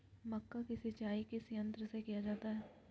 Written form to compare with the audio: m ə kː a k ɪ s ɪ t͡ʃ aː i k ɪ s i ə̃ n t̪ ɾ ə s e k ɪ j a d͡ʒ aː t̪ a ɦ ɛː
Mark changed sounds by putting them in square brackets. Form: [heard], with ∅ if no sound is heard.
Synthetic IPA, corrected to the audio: m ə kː a k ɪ s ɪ t͡ʃ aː i k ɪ s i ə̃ n t̪ ɾ ə s e k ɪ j a d͡ʒ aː t̪ a ɦ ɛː